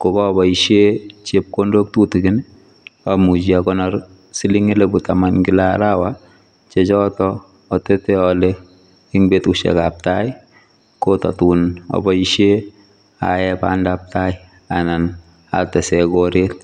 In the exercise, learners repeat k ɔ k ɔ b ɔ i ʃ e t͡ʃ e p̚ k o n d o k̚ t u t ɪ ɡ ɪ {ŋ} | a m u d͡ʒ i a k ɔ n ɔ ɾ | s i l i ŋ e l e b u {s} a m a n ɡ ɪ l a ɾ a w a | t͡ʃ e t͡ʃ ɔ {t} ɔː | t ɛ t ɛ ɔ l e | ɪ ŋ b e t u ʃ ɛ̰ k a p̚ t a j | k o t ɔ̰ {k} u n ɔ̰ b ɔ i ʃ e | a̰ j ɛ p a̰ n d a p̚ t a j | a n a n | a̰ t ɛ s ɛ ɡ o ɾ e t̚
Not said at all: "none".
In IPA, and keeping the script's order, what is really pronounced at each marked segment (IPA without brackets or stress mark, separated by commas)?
n, t, t, t